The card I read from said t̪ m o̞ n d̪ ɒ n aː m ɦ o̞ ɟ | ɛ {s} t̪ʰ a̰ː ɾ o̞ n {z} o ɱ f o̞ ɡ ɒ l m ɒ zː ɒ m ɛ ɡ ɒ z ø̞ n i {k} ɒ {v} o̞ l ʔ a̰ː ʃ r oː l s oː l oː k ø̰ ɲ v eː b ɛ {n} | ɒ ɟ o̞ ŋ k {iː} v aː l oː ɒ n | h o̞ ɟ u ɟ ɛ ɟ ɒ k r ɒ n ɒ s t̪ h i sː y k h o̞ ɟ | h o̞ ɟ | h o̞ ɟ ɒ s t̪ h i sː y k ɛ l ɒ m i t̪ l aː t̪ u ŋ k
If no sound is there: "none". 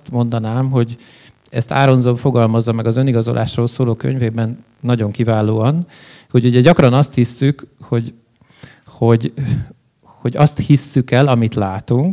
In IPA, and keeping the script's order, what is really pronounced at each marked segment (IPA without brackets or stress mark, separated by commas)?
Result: s, z, ɡ, z, nː, i